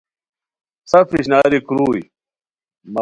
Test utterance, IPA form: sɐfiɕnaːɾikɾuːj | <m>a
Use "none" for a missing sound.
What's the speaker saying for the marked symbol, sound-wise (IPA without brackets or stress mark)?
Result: m